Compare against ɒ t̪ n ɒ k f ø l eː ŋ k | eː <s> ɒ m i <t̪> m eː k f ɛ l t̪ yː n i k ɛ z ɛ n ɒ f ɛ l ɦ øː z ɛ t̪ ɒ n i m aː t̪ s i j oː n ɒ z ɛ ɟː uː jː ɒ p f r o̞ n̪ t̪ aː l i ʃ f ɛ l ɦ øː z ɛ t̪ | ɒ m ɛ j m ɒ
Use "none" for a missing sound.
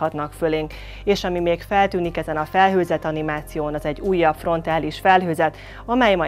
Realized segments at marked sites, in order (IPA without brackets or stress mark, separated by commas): ʃ, none